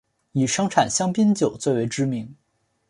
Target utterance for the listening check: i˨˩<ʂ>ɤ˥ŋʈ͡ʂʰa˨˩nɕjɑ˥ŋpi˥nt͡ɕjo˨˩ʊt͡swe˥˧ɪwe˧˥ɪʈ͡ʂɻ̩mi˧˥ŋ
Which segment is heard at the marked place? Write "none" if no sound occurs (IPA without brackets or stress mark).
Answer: ʂ